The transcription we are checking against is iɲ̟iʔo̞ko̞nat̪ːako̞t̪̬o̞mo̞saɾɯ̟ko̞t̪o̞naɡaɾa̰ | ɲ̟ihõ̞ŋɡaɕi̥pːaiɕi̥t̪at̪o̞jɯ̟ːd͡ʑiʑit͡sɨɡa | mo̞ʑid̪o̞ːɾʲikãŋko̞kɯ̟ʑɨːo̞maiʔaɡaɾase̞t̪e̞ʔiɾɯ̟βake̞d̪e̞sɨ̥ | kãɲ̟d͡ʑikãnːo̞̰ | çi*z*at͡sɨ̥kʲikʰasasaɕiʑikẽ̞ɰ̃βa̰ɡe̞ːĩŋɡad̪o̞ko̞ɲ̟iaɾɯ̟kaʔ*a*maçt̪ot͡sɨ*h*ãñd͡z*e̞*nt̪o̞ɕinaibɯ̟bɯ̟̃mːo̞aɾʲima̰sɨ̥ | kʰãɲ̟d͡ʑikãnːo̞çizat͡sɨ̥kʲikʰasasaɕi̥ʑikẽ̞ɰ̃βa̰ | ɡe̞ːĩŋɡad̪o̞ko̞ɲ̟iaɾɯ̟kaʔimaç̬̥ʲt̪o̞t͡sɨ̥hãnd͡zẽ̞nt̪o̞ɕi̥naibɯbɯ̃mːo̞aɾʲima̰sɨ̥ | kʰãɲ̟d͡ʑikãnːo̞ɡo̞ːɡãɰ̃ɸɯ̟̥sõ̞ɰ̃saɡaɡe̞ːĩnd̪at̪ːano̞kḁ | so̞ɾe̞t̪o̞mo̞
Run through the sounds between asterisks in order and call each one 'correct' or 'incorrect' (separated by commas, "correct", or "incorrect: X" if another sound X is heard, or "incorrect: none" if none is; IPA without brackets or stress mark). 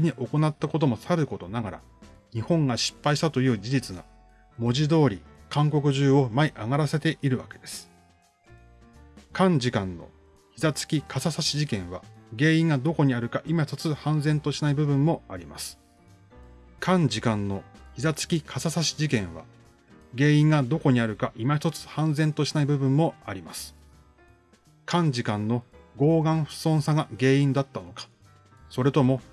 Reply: correct, incorrect: i, correct, incorrect: ẽ̞